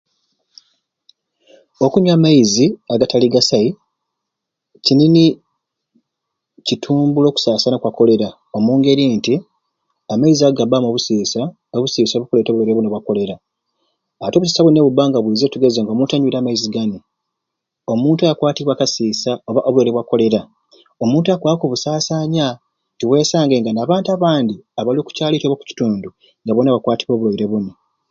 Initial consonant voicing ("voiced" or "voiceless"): voiceless